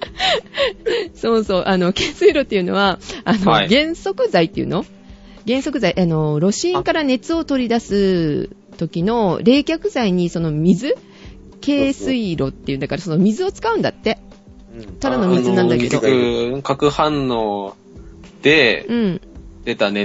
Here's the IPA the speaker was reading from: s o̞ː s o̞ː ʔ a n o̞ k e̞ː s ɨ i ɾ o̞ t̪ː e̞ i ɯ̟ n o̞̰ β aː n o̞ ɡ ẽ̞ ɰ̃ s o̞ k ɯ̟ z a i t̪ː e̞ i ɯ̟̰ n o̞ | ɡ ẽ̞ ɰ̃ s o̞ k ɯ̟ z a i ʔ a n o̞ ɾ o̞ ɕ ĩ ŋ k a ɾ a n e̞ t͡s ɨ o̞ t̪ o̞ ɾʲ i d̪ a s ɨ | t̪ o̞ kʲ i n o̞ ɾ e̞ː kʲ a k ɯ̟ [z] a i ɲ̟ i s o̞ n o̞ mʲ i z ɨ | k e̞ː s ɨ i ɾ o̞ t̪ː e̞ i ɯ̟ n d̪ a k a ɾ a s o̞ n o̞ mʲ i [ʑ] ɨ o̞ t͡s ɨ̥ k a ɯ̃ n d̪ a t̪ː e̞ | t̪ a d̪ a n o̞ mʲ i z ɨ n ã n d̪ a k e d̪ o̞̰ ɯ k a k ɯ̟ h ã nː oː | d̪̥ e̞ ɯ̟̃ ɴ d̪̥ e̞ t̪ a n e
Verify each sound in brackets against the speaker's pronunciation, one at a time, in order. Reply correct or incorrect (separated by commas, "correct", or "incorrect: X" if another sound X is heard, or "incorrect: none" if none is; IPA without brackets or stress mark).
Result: correct, incorrect: z